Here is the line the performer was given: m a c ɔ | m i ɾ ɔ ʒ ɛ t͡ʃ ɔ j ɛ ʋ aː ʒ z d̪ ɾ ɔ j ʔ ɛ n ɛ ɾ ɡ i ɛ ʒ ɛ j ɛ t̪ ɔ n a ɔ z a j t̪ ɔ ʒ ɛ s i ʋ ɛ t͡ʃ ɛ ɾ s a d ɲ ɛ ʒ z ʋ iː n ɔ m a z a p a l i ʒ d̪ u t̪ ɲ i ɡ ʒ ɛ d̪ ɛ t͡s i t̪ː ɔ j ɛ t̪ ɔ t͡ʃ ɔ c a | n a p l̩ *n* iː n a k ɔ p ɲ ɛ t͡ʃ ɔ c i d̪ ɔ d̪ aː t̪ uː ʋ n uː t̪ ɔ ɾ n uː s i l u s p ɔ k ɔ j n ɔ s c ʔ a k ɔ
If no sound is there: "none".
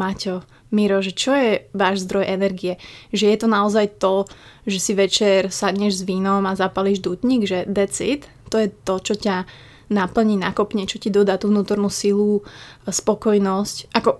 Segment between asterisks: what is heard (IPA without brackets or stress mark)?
ɲ